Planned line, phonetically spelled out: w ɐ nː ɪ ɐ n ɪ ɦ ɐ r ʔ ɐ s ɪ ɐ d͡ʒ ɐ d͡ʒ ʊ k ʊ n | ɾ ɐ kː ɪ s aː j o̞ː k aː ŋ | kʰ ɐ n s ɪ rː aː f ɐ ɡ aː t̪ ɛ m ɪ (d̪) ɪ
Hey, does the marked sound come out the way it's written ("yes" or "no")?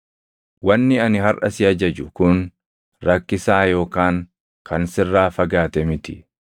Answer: no